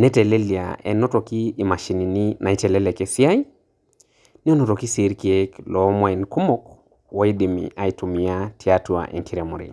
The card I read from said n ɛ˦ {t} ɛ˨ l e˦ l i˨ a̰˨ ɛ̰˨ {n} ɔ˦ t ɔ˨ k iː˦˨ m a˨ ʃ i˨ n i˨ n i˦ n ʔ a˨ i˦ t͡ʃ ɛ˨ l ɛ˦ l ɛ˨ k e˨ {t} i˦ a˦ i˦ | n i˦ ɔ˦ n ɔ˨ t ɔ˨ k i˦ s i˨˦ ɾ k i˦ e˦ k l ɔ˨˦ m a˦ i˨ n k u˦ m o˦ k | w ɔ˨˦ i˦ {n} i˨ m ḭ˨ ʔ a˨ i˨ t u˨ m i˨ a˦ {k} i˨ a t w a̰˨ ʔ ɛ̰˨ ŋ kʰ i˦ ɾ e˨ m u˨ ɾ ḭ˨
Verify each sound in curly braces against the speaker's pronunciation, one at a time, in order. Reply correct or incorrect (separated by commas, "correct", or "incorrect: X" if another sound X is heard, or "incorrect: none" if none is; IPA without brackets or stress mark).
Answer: correct, correct, incorrect: s, incorrect: d, incorrect: t